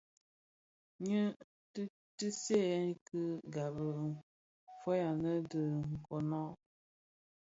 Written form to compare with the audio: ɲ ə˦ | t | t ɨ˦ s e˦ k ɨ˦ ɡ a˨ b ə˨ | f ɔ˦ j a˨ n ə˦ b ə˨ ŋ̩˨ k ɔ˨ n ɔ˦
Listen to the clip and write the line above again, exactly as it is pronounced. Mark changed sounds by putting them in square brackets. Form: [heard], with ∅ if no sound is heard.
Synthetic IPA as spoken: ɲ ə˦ | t | t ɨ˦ s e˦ k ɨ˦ ɡ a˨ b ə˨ | f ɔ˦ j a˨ n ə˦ [d] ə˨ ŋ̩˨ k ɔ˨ n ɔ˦